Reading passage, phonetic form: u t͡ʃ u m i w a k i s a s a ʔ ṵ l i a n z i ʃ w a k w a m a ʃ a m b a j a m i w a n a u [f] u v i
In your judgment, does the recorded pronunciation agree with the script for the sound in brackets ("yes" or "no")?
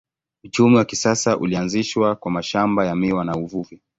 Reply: no